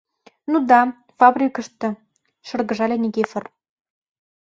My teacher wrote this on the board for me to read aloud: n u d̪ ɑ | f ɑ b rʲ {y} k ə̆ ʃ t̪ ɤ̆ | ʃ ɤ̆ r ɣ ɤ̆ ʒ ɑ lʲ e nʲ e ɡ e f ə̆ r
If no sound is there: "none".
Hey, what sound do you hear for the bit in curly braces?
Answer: i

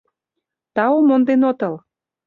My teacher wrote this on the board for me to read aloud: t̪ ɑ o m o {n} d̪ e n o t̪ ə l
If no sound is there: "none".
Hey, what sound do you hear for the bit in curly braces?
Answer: n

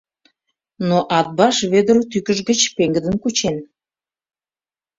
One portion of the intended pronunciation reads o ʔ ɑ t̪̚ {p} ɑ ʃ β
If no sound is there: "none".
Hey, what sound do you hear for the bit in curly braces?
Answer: b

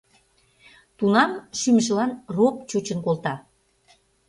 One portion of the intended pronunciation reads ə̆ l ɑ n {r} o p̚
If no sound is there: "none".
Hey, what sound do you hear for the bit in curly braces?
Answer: r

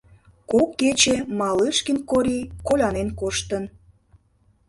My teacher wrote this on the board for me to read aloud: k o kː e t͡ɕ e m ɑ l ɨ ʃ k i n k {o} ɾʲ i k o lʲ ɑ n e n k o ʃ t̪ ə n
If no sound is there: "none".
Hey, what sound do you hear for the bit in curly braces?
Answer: o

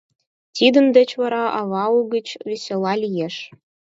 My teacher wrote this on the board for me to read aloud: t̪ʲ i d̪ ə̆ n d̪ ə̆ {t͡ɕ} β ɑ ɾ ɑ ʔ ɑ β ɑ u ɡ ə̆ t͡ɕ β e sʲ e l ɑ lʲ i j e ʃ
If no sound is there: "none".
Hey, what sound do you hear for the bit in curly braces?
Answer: t͡ɕ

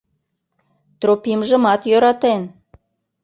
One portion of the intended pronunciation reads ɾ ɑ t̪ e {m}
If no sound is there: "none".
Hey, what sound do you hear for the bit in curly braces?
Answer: n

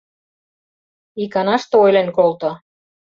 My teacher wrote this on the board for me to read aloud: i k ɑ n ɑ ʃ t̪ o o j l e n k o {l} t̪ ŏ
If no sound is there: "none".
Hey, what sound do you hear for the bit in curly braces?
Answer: l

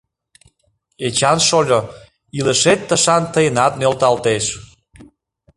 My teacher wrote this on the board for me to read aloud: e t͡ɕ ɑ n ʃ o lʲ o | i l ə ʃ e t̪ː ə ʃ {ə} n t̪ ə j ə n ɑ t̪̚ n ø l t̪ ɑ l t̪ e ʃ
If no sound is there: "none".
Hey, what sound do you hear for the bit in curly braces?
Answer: ɑ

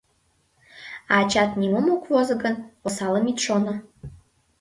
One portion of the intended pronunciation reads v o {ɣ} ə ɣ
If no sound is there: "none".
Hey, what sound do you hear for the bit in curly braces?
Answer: z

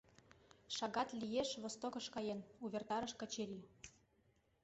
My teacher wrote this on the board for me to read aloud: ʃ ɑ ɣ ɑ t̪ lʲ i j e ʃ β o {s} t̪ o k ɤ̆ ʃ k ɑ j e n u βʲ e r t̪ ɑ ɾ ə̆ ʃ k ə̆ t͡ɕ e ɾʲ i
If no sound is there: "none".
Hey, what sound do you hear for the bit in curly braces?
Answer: s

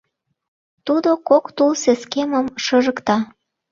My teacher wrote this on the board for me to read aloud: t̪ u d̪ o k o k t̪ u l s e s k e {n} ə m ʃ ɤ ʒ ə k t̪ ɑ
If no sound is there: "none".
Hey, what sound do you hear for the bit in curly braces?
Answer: m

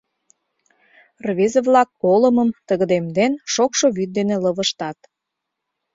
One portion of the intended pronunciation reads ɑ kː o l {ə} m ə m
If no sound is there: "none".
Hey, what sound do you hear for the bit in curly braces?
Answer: ə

